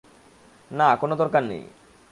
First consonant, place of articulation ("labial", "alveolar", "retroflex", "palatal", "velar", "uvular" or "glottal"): alveolar